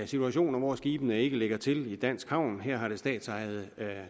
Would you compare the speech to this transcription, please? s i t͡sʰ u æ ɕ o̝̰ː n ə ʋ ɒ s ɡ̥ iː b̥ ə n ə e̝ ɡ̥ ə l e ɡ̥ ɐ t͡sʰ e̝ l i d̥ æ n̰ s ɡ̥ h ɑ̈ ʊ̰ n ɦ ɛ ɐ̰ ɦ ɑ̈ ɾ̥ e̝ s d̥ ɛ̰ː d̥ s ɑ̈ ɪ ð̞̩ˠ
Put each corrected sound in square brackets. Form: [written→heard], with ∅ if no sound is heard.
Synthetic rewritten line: s i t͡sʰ u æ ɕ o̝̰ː n [ə→ɐ] ʋ ɒ s ɡ̥ iː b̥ ə n ə e̝ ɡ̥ ə l e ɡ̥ ɐ t͡sʰ e̝ l i d̥ æ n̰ s ɡ̥ h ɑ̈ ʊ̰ n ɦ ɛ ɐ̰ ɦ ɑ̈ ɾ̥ e̝ s d̥ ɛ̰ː d̥ s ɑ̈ ɪ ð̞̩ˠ